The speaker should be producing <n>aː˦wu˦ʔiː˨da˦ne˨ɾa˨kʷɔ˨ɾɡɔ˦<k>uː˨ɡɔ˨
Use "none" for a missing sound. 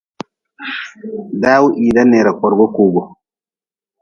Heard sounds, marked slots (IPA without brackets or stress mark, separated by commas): d, k